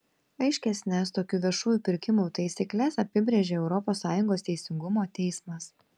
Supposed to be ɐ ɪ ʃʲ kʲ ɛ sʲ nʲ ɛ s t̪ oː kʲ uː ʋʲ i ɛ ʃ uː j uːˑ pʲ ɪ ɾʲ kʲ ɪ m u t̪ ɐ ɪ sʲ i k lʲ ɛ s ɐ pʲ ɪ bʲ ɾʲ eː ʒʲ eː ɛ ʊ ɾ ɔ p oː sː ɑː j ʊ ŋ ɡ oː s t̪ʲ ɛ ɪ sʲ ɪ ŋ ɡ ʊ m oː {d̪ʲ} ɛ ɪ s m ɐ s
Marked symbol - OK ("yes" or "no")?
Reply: no